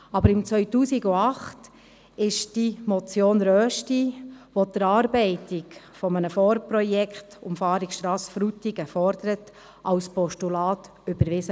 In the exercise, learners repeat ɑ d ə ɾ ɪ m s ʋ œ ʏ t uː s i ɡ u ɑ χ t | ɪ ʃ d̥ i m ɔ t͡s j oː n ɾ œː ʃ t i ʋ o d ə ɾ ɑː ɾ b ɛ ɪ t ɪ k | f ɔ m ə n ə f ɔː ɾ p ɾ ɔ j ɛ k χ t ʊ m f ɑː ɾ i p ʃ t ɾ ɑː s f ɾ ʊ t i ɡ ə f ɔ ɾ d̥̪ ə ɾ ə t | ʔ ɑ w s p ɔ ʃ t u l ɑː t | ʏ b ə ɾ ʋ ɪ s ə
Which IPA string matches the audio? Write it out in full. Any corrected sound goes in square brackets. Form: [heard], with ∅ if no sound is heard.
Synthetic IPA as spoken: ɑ [b] ə ɾ ɪ m [t͡s] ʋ œ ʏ t uː s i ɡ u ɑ χ t | ɪ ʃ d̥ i m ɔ t͡s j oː n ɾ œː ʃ t i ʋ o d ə ɾ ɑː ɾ b ɛ ɪ t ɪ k | f ɔ m ə n ə f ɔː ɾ p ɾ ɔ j ɛ k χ t ʊ m f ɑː ɾ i [k] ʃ t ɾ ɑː s f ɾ [u] t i ɡ ə f ɔ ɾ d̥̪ ə ɾ ə t | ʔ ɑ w s p ɔ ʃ t u l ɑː t | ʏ b ə ɾ ʋ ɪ s ə